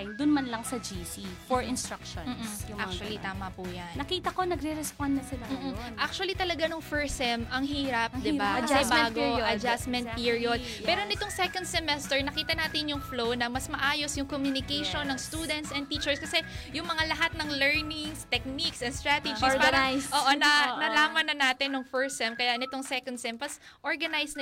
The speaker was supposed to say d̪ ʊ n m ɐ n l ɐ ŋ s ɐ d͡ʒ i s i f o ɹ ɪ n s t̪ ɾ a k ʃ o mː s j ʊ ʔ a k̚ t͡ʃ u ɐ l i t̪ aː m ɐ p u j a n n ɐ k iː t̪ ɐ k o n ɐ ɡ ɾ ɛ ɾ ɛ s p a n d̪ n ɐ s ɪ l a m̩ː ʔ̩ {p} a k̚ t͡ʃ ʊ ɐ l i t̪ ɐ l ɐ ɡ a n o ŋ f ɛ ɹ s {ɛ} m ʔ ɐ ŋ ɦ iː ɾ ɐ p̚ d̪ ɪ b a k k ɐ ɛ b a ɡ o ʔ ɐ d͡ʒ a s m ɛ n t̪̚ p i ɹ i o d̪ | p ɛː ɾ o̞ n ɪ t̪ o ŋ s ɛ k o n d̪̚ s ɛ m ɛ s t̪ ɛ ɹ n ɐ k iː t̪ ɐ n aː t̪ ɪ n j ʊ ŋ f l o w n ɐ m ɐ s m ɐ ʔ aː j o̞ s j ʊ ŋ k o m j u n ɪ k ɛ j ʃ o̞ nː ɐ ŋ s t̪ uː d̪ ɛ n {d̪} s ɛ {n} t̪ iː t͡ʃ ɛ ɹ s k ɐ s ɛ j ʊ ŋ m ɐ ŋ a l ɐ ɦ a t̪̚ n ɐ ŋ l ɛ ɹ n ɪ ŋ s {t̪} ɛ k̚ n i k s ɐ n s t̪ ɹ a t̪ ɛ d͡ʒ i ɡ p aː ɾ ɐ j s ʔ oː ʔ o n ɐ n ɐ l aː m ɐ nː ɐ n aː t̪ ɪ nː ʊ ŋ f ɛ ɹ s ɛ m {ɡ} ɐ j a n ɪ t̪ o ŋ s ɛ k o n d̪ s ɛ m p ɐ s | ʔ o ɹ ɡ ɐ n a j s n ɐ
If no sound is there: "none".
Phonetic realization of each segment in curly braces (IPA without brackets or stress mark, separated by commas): ʔ, ɛ, t̪, n, t̪, k